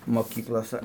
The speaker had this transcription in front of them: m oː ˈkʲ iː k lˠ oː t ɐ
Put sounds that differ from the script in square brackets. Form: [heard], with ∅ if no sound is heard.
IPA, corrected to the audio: m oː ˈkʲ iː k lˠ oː [s] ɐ